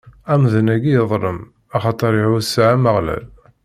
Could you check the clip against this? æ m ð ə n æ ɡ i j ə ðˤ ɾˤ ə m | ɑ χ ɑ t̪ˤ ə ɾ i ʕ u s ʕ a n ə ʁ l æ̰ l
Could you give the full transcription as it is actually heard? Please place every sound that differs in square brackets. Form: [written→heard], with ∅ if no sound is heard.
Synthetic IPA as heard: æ m ð ə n æ ɡ i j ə ðˤ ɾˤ ə m | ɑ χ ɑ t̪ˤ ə ɾ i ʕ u s ʕ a [n→m] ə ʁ l æ̰ l